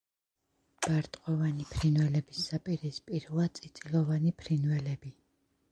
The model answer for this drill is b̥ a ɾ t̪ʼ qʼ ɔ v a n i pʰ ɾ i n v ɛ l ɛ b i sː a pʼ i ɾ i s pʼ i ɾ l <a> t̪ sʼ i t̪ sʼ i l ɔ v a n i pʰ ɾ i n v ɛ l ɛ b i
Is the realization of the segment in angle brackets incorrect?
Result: no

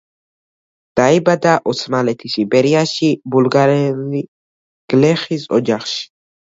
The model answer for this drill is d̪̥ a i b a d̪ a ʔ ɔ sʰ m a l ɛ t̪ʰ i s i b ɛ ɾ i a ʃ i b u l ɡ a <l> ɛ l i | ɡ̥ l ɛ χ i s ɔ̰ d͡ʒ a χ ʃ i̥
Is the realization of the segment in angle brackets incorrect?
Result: yes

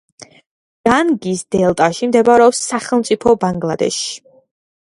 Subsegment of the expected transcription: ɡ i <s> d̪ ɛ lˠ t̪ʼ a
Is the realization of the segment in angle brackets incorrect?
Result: no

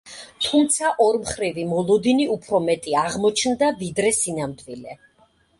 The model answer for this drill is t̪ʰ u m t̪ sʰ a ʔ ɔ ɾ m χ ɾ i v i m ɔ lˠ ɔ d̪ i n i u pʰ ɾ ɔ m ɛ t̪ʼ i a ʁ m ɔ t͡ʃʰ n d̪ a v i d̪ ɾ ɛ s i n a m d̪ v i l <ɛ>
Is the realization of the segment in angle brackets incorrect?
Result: no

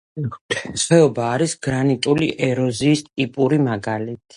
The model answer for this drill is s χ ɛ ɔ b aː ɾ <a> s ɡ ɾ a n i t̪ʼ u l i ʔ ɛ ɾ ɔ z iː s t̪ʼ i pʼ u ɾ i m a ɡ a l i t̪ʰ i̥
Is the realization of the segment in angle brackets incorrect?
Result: yes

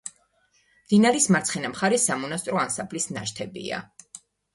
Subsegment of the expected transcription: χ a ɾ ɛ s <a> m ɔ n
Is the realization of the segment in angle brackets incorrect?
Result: no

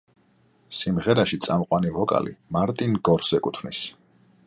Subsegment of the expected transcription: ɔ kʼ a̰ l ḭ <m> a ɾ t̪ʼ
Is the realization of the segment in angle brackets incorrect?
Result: no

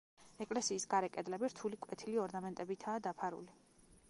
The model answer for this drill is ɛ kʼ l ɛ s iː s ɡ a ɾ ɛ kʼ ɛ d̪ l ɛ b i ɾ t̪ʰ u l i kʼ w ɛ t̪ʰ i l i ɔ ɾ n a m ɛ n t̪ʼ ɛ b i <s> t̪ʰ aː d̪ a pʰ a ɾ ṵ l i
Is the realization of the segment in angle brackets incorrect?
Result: yes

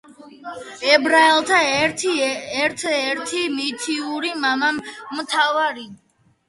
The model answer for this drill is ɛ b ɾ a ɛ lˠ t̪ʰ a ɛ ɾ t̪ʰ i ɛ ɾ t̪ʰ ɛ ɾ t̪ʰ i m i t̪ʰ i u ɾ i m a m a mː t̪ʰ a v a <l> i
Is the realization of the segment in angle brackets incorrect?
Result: yes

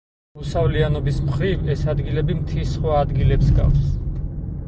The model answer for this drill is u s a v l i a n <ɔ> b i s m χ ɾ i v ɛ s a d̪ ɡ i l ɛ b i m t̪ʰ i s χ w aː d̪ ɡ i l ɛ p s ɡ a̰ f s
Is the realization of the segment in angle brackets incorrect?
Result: no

